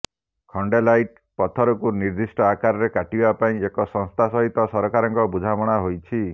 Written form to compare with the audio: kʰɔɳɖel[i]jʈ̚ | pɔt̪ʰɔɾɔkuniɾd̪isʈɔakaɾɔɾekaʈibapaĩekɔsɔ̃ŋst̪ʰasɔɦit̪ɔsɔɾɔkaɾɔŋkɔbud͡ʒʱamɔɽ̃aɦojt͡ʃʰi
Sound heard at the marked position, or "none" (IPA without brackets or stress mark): a